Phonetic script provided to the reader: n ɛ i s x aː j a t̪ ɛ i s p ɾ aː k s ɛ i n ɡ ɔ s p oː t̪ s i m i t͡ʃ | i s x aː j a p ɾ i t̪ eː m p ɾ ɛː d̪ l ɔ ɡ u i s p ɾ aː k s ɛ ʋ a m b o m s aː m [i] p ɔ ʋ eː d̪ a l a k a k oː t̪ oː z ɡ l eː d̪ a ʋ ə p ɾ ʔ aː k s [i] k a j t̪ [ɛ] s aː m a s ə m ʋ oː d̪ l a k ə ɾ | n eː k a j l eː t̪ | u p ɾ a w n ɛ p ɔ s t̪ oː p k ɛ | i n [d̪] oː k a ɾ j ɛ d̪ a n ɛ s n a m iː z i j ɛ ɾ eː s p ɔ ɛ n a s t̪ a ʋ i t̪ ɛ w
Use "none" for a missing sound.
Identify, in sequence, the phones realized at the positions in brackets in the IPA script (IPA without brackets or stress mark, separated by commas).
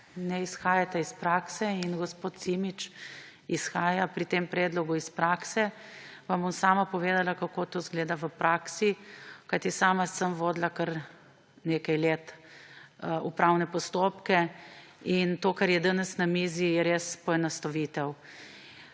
a, i, i, t̪